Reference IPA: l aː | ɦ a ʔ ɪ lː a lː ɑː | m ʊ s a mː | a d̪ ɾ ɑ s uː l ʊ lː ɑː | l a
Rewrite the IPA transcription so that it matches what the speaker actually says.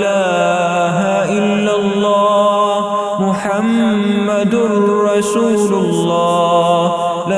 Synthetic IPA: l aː | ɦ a ʔ ɪ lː a lː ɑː | m ʊ ħ a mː | a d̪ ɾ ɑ s uː l ʊ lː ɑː | l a

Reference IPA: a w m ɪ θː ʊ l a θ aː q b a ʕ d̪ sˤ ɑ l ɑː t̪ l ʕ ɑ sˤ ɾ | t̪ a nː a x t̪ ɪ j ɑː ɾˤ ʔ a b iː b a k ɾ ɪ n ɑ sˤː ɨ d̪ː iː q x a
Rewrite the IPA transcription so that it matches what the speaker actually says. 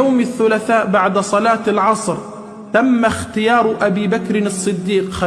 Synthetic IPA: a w m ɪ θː ʊ l a θ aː ʔ b a ʕ d̪ sˤ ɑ l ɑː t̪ l ʕ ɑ sˤ ɾ | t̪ a mː a x t̪ ɪ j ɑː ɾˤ ʔ a b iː b a k ɾ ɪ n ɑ sˤː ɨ d̪ː iː q x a

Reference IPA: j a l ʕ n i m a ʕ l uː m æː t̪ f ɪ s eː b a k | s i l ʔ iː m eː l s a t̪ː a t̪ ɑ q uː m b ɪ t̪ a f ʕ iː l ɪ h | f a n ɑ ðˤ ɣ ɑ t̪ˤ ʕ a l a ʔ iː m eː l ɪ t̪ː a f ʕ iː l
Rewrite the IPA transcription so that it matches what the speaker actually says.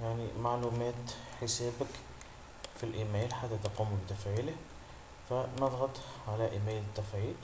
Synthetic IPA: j a ʕ n i m a ʕ l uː m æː t̪ ħ ɪ s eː b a k | f i l ʔ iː m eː l ħ a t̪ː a t̪ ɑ q uː m b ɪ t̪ a f ʕ iː l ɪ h | f a n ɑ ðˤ ɣ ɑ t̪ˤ ʕ a l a ʔ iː m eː l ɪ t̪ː a f ʕ iː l

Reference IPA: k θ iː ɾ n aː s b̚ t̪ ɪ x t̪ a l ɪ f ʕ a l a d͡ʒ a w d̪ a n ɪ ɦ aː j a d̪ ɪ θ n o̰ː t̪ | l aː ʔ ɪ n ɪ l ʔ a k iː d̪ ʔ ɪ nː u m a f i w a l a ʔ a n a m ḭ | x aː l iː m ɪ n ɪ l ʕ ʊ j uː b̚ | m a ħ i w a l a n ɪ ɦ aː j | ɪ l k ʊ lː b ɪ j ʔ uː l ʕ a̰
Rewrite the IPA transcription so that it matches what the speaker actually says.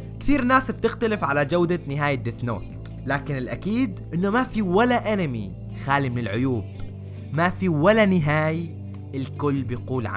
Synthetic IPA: k θ iː ɾ n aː s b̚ t̪ ɪ x t̪ a l ɪ f ʕ a l a d͡ʒ a w d̪ a n ɪ ɦ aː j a d̪ ɪ θ n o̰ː t̪ | l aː k ɪ n ɪ l ʔ a k iː d̪ ʔ ɪ nː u m a f i w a l a ʔ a n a m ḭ | x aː l i m ɪ n ɪ l ʕ ʊ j uː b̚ | m a f i w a l a n ɪ ɦ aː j | ɪ l k ʊ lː b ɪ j q uː l ʕ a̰

